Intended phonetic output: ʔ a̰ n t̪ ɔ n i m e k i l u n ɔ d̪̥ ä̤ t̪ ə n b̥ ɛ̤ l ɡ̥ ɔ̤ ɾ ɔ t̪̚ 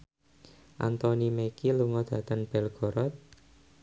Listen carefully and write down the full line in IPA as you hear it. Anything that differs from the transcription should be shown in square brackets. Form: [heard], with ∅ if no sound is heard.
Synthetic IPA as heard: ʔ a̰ n t̪ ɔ n i m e k i l u [ŋ] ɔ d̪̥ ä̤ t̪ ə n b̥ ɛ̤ l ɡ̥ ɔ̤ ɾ ɔ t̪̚